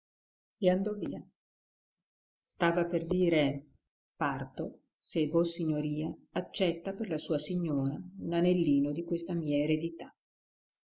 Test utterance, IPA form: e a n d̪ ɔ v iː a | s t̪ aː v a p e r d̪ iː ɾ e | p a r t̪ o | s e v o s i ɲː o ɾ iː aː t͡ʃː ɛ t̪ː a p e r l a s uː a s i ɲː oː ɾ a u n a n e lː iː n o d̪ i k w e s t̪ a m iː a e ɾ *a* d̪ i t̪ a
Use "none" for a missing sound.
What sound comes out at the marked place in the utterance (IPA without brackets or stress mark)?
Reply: e